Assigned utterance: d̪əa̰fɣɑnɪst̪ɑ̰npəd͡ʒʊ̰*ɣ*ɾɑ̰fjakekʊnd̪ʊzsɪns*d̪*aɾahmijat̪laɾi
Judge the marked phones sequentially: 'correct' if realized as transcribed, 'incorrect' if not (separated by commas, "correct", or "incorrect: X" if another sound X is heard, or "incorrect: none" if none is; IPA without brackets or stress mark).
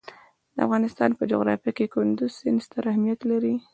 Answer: correct, incorrect: t̪